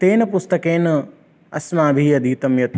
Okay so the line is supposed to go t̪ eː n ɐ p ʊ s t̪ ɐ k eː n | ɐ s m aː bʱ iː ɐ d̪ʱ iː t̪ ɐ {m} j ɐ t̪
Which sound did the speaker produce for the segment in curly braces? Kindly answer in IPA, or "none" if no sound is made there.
m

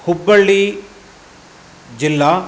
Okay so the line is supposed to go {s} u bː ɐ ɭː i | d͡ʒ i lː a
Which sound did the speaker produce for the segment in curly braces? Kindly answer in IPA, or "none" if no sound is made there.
h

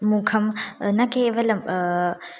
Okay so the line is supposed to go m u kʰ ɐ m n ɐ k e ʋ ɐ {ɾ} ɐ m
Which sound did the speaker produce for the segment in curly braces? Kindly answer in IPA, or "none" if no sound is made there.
l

